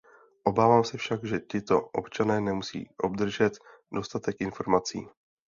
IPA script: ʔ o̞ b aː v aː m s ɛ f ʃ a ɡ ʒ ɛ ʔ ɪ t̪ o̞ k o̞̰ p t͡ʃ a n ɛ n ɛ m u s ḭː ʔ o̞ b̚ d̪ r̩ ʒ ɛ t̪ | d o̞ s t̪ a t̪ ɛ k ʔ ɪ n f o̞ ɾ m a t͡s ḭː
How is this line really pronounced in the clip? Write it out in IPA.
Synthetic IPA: ʔ o̞ b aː v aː m s ɛ f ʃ a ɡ ʒ ɛ c ɪ t̪ o̞ ʔ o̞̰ p t͡ʃ a n ɛː n ɛ m u s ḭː ʔ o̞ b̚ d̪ r̩ ʒ ɛ t̪ | d o̞ s t̪ a t̪ ɛ k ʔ ɪ n f o̞ ɾ m a t͡s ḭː